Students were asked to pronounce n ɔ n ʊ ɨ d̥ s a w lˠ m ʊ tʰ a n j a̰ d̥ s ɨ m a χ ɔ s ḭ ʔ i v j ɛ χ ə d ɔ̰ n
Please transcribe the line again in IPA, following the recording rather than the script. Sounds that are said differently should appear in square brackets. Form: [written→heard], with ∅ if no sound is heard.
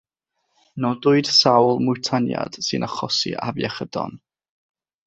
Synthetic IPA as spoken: n ɔ [n→d] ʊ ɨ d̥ s a w lˠ m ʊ tʰ a n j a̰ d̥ s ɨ [m→n] a χ ɔ s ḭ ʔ [i→a] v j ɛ χ ə d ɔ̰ n